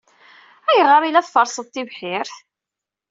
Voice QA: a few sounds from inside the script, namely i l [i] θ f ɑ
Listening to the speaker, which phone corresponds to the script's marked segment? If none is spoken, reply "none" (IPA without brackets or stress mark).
æ